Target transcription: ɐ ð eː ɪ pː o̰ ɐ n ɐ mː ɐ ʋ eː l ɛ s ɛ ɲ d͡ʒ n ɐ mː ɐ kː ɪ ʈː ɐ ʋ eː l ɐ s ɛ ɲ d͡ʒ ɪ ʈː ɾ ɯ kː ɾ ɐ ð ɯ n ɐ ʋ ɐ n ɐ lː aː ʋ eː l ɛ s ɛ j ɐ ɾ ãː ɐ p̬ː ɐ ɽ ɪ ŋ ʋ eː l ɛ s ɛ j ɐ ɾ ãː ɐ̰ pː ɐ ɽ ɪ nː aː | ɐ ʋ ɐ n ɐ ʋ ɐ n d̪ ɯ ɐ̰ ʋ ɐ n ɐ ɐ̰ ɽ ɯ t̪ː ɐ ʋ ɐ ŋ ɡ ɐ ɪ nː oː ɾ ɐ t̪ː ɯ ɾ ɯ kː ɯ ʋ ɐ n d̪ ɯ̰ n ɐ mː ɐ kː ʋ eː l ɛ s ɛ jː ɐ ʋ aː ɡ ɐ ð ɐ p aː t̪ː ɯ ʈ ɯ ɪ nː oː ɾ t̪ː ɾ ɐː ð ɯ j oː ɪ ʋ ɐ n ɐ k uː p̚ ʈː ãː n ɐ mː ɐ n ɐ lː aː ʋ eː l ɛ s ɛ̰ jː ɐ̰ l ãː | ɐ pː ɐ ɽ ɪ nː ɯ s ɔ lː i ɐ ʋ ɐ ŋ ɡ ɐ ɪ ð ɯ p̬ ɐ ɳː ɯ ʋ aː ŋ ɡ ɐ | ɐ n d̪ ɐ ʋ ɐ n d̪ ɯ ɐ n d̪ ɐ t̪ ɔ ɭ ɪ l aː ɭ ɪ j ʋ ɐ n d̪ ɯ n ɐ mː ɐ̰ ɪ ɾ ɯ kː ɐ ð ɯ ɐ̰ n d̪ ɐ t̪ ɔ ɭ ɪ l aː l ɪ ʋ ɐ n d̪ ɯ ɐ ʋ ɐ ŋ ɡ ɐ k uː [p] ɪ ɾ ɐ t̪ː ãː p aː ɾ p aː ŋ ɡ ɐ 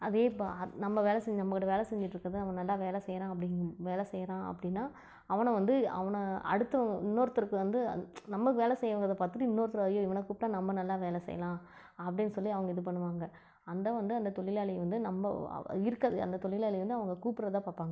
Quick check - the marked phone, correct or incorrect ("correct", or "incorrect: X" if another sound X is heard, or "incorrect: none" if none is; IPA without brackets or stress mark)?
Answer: correct